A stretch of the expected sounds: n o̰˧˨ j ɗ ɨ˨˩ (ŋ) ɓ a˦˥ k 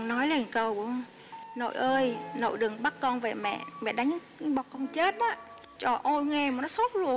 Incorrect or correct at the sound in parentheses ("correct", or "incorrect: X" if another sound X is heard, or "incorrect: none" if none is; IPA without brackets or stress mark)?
correct